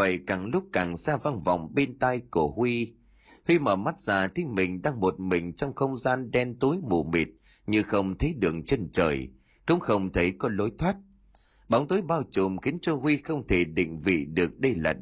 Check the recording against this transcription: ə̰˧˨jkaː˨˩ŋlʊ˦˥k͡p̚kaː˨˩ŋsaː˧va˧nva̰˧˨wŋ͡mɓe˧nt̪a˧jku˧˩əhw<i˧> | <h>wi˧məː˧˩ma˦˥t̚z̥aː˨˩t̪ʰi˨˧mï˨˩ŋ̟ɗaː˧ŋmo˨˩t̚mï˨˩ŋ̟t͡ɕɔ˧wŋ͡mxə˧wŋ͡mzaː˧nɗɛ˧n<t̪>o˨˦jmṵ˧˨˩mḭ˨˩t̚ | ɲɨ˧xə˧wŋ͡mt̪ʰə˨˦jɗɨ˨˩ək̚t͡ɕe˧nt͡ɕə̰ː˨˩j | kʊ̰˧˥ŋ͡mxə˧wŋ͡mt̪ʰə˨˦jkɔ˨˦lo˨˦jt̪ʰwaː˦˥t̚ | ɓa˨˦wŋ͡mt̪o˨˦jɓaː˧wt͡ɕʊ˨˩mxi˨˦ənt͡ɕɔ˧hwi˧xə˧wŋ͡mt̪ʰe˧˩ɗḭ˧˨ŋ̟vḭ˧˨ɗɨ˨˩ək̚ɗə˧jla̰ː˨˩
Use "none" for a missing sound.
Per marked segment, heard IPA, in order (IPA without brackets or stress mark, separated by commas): i˧, h, t̪